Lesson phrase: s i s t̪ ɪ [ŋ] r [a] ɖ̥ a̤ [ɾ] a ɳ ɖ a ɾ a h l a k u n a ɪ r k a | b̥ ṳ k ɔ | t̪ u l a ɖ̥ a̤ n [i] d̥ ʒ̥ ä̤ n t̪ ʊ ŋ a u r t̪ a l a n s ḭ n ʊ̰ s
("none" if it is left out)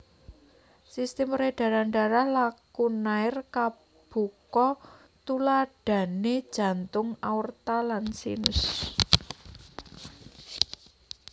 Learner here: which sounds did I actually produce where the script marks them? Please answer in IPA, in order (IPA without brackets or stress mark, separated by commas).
m, e, ɾ, e